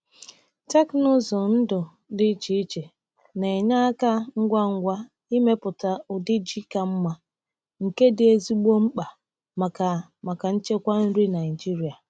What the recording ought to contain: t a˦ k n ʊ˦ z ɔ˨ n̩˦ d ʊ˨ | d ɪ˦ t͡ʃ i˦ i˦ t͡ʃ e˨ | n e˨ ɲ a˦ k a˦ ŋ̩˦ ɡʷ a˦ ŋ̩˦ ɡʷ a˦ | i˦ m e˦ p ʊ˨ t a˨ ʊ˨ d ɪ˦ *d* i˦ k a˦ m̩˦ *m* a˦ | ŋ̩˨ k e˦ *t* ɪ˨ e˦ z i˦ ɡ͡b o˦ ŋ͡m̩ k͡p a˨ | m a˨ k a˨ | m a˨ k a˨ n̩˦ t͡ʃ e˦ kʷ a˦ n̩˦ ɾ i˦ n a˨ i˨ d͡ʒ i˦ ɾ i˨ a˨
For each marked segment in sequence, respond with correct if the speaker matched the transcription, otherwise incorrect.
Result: incorrect, correct, incorrect

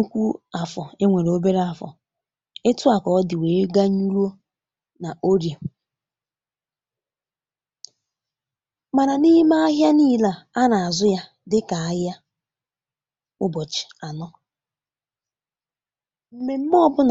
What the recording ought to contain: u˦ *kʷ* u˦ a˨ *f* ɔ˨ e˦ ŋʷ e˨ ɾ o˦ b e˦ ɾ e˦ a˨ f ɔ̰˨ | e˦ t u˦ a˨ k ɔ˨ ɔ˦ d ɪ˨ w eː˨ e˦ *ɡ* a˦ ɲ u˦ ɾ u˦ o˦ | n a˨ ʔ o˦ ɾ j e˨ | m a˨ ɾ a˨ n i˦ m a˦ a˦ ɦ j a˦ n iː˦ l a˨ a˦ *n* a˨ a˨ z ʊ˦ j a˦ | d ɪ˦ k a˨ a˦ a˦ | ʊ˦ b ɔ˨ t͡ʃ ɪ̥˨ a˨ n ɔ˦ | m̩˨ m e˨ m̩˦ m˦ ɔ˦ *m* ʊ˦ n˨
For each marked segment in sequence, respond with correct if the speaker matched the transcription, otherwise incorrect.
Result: correct, correct, correct, correct, incorrect

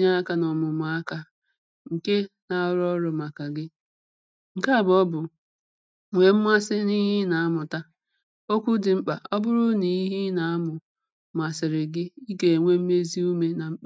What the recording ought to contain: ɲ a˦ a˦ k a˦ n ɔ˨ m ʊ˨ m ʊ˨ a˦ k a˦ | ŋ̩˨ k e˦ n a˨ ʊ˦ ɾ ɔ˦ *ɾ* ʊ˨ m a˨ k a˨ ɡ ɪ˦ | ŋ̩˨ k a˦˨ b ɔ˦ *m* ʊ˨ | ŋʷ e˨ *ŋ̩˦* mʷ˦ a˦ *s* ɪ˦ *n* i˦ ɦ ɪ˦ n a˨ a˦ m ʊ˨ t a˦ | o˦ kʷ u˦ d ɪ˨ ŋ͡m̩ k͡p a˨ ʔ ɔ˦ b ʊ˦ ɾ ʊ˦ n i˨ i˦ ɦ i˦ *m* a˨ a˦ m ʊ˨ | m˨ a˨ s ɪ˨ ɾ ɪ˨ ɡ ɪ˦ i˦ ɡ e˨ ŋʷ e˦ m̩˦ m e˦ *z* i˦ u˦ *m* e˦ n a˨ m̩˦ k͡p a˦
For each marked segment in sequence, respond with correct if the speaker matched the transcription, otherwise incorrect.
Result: correct, incorrect, incorrect, correct, correct, incorrect, correct, correct

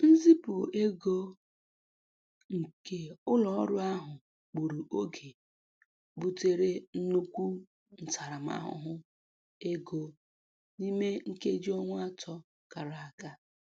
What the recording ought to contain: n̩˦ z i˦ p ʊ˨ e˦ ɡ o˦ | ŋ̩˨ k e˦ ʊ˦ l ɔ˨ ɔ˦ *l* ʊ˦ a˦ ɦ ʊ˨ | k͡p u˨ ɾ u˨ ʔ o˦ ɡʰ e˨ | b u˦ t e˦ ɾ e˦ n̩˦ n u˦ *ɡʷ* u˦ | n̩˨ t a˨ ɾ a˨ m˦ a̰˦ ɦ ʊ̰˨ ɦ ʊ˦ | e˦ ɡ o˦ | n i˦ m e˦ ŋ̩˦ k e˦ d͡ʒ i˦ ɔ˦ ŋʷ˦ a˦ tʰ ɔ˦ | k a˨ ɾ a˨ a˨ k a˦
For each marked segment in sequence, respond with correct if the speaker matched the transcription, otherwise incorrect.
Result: incorrect, incorrect

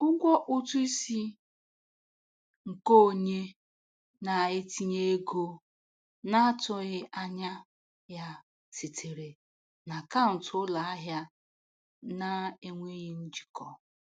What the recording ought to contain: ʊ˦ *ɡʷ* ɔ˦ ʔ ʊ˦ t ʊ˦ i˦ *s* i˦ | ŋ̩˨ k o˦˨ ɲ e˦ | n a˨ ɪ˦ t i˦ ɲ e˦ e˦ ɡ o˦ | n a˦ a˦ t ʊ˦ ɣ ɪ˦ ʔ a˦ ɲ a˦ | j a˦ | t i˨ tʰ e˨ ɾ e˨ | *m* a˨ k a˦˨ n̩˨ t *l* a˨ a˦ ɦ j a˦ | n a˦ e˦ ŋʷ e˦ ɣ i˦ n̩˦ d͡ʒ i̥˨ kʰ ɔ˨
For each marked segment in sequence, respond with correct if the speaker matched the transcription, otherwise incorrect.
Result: correct, correct, incorrect, correct

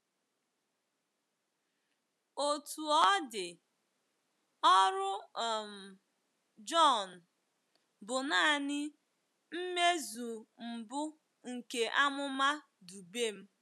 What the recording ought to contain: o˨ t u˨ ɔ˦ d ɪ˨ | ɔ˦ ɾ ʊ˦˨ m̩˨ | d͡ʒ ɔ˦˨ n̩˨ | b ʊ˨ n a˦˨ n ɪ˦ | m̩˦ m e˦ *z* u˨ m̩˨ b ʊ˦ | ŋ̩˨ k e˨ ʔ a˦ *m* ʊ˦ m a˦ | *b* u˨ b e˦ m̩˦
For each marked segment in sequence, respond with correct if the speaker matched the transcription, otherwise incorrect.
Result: correct, correct, incorrect

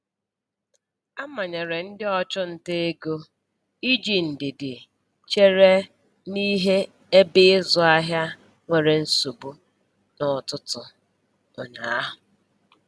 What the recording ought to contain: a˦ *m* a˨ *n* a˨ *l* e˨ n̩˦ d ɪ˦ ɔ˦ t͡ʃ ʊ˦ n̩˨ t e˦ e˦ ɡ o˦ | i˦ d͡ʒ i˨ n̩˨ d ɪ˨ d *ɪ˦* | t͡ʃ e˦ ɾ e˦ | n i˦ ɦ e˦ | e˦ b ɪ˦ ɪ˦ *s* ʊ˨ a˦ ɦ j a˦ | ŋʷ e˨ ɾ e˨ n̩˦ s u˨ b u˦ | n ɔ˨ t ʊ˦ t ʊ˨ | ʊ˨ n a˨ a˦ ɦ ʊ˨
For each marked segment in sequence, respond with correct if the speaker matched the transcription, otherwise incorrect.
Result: correct, incorrect, incorrect, incorrect, incorrect

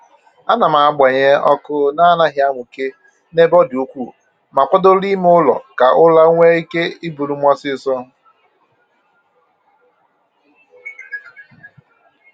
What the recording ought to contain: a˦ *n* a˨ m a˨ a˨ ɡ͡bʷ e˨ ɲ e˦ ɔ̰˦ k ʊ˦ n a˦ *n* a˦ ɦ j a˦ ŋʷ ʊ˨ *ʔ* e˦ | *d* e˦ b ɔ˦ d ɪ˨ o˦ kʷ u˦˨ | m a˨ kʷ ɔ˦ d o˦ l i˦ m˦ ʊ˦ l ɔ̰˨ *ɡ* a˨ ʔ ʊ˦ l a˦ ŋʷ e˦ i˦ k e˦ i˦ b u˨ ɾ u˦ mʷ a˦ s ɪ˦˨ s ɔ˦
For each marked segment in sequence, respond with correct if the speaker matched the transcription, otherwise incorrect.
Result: correct, correct, incorrect, incorrect, incorrect

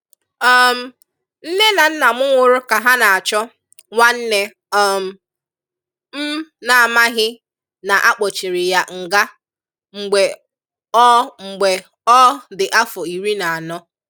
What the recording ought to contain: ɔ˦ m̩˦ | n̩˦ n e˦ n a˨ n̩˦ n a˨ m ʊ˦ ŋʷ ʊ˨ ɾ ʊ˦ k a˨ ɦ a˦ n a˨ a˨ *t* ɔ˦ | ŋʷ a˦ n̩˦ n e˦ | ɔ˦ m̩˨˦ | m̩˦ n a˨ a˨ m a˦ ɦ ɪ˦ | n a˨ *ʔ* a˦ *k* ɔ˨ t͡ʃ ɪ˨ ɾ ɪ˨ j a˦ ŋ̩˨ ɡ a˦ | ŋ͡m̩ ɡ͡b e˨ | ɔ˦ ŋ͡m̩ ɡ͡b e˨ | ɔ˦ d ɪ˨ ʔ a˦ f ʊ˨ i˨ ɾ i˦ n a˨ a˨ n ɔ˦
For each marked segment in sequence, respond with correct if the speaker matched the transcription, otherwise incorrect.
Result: incorrect, correct, incorrect

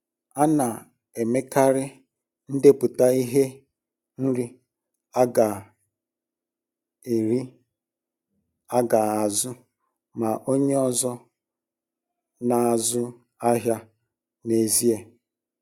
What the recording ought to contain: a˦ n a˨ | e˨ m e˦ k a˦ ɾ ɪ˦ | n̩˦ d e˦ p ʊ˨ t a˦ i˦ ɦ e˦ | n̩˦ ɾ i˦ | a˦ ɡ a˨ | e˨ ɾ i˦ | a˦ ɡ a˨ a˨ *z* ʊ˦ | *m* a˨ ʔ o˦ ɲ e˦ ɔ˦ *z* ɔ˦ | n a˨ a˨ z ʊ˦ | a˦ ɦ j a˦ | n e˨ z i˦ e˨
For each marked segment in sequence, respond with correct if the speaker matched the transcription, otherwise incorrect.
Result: correct, correct, correct

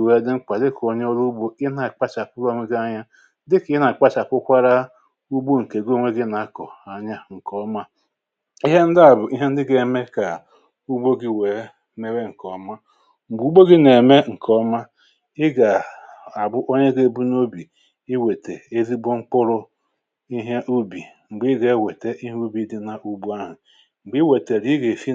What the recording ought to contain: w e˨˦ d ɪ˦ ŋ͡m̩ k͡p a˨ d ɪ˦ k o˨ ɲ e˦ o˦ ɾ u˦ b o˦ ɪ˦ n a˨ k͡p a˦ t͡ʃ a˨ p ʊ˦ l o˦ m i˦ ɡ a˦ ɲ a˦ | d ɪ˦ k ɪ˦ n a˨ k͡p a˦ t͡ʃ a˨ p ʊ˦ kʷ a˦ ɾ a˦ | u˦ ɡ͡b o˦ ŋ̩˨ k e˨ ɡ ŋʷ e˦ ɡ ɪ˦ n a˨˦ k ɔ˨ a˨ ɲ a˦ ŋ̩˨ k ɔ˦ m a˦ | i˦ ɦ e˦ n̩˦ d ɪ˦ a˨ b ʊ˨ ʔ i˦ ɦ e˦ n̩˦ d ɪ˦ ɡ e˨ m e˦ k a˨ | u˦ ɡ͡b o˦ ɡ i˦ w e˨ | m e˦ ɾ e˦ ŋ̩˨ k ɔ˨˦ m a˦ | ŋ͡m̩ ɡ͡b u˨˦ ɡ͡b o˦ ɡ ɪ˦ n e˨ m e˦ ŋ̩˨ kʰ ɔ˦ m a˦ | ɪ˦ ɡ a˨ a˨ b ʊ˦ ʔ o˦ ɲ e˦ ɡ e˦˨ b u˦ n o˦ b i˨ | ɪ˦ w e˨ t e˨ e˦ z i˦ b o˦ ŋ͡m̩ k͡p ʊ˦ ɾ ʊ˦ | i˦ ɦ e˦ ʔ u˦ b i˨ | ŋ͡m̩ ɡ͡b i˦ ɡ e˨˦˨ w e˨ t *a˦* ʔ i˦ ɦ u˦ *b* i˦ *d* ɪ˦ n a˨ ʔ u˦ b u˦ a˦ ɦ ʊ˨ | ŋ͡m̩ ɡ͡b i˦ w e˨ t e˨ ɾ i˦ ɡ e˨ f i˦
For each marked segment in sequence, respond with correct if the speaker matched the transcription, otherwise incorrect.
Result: incorrect, correct, correct

